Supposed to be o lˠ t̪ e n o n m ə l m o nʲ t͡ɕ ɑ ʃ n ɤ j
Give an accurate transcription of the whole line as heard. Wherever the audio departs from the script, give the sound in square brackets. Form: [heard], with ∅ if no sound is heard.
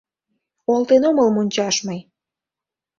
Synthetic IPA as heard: o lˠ t̪ e n o [∅] m ə l m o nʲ t͡ɕ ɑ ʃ [m] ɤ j